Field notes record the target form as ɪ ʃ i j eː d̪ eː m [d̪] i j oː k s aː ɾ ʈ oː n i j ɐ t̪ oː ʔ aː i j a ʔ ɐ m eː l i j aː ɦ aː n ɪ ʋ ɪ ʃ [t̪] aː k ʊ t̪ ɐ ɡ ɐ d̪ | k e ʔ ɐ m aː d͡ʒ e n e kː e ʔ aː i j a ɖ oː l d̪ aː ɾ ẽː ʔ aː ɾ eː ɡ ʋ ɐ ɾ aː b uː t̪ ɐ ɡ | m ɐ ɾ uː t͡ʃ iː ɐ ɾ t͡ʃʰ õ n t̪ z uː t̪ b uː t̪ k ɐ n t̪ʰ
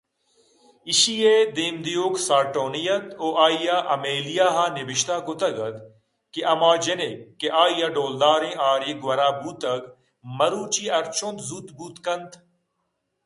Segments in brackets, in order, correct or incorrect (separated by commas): correct, correct